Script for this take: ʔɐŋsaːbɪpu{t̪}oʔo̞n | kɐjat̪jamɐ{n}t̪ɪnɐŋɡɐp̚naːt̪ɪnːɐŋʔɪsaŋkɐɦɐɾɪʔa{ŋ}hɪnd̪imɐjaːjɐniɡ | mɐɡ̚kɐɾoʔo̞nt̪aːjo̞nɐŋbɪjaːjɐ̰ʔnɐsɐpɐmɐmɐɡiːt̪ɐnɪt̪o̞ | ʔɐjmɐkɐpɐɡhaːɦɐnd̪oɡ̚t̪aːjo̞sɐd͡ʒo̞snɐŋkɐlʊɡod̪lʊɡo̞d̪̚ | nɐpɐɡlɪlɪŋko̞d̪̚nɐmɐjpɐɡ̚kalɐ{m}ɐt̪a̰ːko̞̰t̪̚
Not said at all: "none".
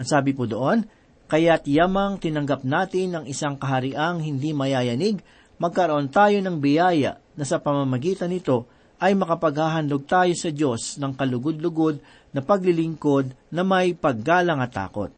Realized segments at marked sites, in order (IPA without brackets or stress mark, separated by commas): d̪, ŋ, ŋ, ŋ